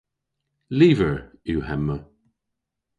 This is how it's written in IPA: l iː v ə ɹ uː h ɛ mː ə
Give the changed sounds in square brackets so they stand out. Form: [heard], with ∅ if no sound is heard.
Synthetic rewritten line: l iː v ə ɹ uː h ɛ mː ə